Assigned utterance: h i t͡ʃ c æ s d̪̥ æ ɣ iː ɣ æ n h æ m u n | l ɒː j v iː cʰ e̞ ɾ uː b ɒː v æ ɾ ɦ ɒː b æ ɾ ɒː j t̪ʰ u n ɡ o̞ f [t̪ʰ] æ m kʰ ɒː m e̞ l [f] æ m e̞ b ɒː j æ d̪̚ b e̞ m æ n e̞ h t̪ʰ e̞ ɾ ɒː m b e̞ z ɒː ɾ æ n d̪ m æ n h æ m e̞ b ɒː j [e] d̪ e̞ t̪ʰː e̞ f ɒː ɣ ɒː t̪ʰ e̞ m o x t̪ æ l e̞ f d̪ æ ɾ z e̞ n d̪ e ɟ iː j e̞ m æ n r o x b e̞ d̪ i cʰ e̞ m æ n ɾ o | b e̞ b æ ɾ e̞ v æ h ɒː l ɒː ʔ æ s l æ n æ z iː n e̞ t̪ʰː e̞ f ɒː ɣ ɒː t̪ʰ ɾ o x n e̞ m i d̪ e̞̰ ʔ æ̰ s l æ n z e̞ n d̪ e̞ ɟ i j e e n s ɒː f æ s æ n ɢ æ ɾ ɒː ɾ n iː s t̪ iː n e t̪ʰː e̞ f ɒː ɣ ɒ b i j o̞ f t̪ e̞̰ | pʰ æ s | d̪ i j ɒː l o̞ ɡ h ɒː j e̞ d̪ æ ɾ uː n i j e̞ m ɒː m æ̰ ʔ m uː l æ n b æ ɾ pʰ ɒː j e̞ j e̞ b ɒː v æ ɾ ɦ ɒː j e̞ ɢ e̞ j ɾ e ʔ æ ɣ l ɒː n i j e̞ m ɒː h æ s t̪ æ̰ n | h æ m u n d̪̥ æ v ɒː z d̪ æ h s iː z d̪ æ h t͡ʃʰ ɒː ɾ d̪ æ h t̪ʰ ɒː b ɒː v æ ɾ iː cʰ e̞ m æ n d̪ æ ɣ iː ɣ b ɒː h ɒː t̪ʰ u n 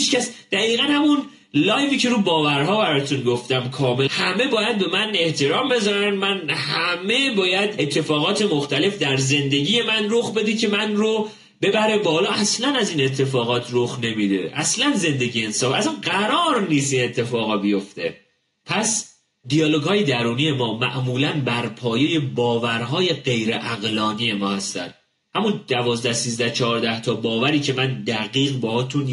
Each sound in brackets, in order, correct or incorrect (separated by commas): incorrect, incorrect, incorrect